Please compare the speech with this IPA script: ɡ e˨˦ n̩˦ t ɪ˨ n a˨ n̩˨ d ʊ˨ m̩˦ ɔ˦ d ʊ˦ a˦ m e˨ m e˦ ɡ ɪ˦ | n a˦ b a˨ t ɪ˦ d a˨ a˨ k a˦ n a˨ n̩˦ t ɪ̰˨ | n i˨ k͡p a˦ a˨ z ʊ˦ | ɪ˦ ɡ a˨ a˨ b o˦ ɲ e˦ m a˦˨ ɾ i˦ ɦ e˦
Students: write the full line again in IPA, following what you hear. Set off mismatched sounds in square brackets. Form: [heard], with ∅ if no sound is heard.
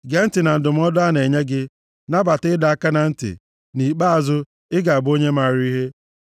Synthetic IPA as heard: ɡ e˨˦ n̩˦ t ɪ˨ n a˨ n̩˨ d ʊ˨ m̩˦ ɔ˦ d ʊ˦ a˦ [n] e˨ [ɲ] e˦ ɡ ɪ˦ | n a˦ b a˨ t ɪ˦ d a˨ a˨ k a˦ n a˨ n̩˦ t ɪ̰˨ | n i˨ k͡p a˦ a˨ z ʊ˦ | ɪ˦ ɡ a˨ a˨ b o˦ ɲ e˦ m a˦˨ ɾ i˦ ɦ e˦